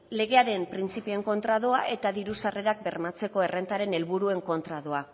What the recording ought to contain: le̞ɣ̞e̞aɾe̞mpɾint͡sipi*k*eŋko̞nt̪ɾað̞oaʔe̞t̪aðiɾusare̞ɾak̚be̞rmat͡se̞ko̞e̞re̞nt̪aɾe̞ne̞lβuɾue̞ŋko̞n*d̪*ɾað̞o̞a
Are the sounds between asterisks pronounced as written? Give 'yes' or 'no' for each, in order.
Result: no, no

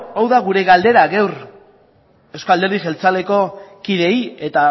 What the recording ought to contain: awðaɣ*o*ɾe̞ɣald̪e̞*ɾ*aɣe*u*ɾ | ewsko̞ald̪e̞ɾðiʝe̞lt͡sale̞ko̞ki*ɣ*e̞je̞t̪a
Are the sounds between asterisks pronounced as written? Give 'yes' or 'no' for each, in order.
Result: no, yes, no, no

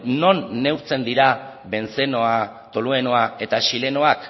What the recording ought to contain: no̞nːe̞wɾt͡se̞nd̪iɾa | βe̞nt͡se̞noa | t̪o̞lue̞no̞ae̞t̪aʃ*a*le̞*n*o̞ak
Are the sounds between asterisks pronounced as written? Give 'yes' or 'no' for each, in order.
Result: no, yes

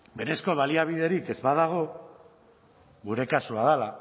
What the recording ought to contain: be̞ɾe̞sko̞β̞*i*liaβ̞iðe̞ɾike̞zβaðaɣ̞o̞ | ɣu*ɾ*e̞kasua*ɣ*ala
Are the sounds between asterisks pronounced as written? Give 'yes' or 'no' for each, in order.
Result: no, yes, no

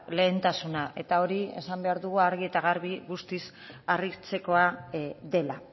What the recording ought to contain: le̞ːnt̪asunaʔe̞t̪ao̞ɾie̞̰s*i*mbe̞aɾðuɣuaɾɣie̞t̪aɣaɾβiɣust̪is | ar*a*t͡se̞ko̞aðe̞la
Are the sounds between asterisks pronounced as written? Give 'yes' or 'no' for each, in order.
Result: no, no

